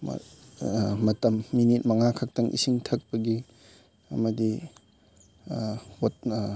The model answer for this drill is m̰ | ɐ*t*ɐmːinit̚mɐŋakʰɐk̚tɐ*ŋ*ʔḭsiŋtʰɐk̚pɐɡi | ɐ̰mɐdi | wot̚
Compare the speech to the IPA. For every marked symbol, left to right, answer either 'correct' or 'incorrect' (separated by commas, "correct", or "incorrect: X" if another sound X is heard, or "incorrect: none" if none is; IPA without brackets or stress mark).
correct, correct